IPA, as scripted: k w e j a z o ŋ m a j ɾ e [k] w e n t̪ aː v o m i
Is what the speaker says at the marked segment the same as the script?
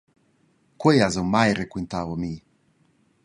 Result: yes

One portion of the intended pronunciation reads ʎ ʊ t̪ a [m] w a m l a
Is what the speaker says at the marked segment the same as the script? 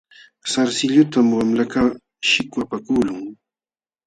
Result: yes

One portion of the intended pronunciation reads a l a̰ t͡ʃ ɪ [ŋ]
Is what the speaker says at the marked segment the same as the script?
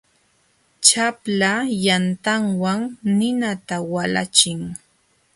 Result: yes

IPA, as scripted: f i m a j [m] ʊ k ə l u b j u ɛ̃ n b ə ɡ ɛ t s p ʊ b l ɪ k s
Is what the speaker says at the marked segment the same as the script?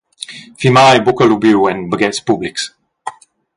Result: no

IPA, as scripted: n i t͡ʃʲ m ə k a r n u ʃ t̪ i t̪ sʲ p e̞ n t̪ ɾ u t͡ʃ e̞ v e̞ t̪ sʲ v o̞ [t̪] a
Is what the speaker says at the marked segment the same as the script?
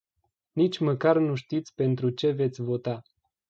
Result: yes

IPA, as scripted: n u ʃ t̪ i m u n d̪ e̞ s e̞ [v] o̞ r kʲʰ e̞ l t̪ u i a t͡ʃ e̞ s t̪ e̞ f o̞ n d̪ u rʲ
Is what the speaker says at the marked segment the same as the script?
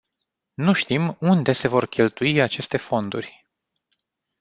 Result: yes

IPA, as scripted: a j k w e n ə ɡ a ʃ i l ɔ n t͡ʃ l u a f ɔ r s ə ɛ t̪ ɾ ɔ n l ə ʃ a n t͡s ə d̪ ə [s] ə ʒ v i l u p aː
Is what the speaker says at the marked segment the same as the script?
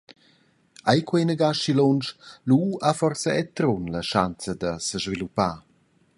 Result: yes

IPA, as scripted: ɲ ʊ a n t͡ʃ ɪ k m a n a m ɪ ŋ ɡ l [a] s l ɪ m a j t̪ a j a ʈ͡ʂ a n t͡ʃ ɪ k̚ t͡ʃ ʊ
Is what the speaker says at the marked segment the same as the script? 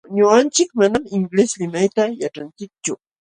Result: no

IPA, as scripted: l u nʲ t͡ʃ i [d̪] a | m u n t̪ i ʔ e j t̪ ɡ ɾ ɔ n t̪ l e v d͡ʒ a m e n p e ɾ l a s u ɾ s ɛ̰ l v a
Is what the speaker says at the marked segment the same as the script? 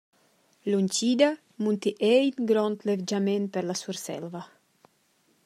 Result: yes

